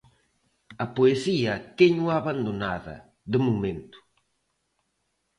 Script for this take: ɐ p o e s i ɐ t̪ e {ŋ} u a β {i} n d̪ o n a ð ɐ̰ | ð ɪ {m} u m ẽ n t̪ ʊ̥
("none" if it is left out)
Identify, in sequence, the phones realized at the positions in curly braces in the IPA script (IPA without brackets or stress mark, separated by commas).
ɲ, a, m